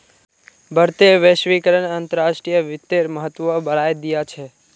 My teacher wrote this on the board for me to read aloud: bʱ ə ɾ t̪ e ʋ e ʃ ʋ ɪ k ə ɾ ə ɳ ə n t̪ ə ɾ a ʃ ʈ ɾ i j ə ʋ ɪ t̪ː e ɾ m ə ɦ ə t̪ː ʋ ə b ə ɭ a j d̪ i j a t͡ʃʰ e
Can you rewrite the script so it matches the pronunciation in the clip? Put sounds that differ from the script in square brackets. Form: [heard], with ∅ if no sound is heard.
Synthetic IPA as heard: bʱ ə ɾ t̪ e ʋ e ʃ ʋ [i] k ə ɾ ə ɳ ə n t̪ ə ɾ a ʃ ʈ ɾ i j ə ʋ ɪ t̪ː e ɾ m ə ɦ ə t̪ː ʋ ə b ə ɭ a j d̪ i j a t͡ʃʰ e